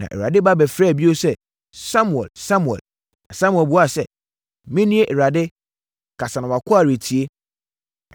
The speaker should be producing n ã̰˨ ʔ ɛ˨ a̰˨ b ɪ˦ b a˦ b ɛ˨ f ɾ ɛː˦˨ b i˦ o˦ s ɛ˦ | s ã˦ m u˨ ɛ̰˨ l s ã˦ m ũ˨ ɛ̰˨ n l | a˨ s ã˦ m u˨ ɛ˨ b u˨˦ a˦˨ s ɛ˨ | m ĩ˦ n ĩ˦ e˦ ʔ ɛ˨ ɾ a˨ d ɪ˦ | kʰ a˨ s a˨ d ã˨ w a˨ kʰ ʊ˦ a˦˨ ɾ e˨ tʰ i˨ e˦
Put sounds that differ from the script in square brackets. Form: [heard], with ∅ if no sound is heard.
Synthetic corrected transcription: n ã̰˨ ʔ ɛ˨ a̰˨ [d] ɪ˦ b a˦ b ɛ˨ f ɾ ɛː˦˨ b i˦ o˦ s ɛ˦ | s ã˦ m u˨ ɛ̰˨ l s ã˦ m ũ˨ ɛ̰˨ [∅] l | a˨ s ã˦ m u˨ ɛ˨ b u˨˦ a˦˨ s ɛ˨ | m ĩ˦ n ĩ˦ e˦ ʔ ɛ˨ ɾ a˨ d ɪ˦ | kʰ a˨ s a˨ [n] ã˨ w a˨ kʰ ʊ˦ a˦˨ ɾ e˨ tʰ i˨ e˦

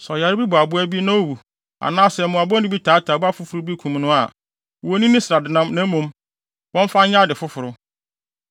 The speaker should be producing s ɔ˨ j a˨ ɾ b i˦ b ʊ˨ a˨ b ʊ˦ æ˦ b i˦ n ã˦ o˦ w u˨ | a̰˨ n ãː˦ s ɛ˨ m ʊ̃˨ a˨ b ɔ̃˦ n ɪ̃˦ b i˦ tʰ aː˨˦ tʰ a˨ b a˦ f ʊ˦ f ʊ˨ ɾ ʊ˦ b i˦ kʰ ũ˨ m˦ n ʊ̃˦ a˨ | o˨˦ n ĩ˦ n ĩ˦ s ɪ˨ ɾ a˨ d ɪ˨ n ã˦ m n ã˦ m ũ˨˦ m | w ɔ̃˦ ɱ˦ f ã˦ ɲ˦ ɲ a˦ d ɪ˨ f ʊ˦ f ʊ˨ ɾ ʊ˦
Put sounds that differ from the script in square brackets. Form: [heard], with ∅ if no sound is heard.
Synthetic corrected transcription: s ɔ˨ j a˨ ɾ b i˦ b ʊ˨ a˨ b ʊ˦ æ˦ b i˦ n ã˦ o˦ w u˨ | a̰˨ n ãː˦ s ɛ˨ m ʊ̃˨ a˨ b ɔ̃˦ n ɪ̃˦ b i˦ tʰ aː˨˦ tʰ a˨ b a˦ f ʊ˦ f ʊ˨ ɾ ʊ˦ b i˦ kʰ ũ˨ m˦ n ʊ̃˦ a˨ | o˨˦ n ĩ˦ n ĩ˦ s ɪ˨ ɾ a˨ d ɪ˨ n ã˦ m n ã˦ m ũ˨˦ m | w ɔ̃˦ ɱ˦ f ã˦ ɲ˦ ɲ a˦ d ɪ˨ f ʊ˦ f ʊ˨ ɾ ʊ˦

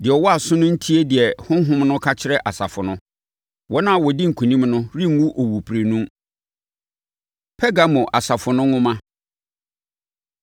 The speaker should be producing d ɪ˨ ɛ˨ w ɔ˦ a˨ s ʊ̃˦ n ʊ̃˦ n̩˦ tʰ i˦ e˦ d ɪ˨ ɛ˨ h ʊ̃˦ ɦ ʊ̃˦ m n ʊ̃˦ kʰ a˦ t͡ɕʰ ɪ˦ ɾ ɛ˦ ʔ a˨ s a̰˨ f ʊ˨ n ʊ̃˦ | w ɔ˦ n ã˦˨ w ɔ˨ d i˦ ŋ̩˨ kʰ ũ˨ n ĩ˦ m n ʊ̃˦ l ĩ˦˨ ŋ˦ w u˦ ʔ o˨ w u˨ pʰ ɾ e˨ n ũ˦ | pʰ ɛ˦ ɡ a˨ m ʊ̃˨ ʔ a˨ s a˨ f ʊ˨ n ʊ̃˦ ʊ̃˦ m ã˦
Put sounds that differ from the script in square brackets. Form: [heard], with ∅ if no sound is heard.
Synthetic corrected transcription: d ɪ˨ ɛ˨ w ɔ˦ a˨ s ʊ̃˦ n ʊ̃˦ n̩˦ tʰ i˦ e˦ d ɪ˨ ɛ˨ h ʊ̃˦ ɦ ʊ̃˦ m n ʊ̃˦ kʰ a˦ t͡ɕʰ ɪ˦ ɾ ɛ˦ ʔ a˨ s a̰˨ f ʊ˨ n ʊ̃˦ | w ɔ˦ n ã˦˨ w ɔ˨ d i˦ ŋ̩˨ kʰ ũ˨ n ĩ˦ m n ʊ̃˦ [ɾ] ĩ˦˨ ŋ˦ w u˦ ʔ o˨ w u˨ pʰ ɾ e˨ n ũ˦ | pʰ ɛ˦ ɡ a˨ m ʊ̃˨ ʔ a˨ s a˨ f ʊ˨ n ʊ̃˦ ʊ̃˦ m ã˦

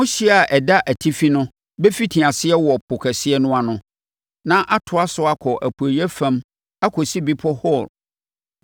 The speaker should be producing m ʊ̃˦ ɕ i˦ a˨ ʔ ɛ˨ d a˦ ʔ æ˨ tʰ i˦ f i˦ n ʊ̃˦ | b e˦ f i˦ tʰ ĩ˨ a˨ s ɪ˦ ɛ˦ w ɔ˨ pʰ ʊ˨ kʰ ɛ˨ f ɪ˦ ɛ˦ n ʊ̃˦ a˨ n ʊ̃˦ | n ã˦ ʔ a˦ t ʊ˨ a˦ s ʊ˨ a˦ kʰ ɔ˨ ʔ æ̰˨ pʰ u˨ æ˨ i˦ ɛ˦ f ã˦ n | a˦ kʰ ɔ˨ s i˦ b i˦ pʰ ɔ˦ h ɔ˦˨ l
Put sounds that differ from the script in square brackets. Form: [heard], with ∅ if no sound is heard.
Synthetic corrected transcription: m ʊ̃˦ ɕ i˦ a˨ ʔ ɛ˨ d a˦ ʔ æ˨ tʰ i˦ f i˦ n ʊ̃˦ | b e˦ f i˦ tʰ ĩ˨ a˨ s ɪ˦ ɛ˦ w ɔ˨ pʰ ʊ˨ kʰ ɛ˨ [s] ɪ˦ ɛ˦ n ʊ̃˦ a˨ n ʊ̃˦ | n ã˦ ʔ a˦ [tʰ] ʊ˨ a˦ s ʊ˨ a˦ kʰ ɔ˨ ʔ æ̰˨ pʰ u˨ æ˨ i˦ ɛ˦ f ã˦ [m] | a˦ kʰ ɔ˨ s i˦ b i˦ pʰ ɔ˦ h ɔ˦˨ l

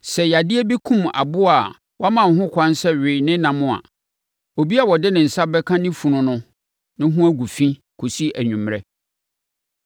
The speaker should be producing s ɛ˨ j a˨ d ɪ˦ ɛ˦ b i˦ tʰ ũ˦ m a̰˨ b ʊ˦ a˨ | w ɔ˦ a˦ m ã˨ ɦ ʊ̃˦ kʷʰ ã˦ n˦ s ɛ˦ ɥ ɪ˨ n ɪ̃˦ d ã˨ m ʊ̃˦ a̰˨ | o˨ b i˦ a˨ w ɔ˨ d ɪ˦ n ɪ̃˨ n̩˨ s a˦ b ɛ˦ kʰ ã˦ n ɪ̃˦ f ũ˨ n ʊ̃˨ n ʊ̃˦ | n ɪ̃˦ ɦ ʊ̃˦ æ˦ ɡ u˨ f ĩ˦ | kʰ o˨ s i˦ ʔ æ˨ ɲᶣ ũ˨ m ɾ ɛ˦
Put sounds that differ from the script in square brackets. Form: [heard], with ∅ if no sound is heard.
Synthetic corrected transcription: s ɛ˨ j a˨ d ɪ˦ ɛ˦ b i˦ [kʰ] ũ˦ m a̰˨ b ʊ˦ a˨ | w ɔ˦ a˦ m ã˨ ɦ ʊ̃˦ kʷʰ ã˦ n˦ s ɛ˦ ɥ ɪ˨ n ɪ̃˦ [n] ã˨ m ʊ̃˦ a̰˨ | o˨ b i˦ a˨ w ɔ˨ d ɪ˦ n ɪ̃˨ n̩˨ s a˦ b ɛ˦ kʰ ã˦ n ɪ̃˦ f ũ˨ n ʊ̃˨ n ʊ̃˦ | n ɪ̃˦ ɦ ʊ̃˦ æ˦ ɡ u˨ f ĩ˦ | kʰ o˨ s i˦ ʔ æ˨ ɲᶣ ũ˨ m ɾ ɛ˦

